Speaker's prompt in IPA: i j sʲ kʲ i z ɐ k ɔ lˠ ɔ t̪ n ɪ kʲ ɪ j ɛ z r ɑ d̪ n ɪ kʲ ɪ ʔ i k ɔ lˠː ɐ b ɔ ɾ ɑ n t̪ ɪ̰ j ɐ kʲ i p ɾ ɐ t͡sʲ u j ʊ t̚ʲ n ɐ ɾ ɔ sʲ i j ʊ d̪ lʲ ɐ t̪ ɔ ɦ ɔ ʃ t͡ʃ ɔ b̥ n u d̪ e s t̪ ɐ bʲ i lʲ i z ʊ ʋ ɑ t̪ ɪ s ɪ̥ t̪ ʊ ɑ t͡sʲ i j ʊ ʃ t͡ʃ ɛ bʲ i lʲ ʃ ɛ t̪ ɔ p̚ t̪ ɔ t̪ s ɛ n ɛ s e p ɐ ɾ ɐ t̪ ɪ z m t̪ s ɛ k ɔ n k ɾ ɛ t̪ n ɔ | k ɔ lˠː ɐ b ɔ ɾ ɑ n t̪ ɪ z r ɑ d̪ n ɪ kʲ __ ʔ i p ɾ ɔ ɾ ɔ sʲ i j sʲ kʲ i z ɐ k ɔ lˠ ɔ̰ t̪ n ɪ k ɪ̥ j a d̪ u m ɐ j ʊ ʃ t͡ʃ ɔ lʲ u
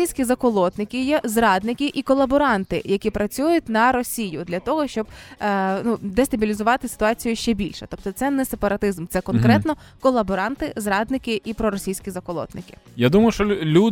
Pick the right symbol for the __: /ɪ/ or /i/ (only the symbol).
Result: ɪ